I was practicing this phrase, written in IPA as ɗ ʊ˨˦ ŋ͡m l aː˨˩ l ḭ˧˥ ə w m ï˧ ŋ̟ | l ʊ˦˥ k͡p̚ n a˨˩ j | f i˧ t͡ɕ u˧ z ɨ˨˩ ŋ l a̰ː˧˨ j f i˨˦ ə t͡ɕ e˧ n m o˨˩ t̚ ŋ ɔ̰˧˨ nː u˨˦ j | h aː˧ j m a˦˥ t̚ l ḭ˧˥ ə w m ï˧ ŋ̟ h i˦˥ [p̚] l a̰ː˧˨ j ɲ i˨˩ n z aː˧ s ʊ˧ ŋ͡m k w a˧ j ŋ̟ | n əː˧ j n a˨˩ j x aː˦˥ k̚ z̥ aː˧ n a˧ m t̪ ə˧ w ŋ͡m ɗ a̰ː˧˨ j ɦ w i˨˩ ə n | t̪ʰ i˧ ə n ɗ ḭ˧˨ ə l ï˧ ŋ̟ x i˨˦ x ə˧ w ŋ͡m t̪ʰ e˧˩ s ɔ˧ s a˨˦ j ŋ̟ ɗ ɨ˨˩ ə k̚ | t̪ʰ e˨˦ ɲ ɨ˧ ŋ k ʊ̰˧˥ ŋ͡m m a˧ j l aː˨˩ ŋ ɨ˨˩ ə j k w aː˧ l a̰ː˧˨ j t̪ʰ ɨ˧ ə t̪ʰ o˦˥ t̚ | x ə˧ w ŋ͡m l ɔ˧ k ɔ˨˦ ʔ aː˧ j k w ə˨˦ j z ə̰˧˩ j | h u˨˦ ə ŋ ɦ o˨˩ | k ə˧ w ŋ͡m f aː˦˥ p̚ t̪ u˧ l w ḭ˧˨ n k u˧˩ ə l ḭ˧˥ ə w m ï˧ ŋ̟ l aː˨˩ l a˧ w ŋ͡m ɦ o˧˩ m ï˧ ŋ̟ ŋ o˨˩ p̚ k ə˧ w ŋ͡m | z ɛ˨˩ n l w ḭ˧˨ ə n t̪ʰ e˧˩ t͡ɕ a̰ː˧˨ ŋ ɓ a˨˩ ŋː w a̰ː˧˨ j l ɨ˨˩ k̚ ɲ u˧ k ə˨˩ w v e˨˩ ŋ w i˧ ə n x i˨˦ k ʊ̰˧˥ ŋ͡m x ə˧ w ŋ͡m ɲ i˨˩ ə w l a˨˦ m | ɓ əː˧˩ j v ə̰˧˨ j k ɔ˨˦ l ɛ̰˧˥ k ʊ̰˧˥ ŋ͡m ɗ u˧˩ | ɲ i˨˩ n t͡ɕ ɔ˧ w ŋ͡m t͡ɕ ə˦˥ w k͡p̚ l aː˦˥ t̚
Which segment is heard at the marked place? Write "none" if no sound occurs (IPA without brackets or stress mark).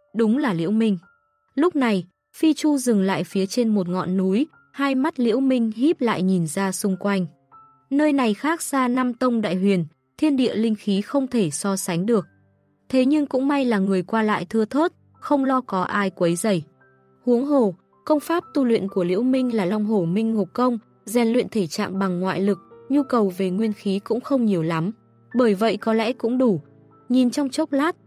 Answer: p̚